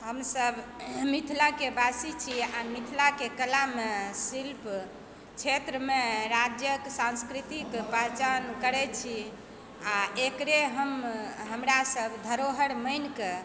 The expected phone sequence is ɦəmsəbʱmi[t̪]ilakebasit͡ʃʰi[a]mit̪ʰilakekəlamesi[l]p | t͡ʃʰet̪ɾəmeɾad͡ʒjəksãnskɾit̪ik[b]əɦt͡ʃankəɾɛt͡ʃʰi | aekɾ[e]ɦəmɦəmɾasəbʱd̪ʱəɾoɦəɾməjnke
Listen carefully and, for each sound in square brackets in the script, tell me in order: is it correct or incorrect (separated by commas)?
incorrect, correct, correct, incorrect, correct